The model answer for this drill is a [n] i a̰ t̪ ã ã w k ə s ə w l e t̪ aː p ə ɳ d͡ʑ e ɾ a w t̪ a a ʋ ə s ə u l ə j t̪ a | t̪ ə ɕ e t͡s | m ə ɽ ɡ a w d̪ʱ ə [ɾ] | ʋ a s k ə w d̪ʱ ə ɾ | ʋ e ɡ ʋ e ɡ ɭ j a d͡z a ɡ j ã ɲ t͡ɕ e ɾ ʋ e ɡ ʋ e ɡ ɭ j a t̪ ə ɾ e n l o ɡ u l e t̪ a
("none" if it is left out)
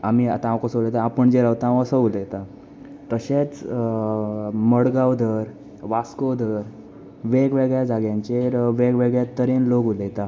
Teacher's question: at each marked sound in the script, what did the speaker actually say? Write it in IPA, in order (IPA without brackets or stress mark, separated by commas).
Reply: m, ɾ